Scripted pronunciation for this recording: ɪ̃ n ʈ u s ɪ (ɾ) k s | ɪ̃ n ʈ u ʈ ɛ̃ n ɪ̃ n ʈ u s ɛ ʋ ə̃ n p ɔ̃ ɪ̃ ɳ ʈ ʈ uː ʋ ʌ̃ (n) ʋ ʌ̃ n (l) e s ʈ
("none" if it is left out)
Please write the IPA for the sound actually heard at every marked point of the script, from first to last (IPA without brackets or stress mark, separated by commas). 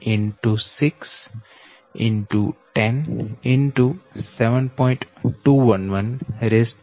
none, n, ɾ